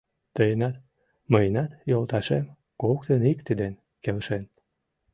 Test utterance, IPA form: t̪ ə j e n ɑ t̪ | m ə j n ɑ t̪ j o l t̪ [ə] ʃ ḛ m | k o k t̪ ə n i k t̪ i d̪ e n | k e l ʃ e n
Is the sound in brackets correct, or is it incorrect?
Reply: incorrect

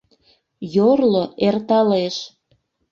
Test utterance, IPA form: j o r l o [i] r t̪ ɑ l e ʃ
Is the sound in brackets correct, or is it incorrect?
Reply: incorrect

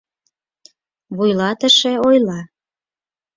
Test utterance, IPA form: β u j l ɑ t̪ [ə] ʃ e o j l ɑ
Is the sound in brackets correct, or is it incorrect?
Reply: correct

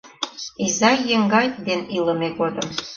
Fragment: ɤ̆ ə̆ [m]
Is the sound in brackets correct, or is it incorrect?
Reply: correct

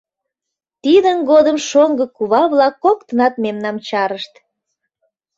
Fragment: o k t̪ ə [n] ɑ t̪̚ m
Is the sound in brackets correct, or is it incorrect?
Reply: correct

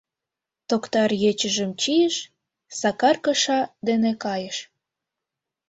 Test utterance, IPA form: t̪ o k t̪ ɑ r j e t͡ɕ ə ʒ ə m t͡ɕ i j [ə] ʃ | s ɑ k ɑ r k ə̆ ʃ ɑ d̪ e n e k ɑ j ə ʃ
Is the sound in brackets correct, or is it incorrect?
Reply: correct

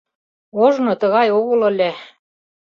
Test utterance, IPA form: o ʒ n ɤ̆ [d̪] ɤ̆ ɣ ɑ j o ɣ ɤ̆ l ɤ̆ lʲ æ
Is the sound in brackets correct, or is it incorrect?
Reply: incorrect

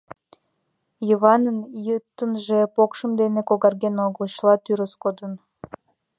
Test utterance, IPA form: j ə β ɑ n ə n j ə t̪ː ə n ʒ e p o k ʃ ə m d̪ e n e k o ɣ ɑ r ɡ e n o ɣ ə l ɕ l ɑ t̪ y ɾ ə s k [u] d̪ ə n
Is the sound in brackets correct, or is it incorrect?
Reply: incorrect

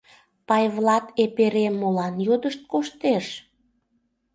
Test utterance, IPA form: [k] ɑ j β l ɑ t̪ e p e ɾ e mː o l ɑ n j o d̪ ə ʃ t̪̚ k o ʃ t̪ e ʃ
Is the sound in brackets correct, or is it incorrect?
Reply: incorrect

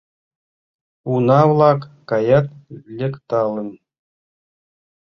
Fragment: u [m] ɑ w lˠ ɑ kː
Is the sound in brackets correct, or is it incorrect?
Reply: incorrect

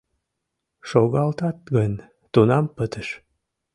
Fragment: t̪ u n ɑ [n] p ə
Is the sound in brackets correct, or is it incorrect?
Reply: incorrect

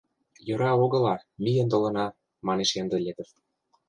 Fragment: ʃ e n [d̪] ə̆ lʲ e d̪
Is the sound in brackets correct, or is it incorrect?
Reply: correct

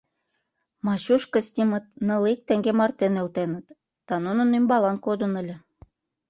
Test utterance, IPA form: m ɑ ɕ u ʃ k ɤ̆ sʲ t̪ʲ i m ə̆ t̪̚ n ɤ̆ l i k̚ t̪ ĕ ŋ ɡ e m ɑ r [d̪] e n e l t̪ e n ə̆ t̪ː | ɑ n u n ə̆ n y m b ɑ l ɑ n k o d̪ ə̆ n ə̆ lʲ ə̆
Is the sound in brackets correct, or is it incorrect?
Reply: incorrect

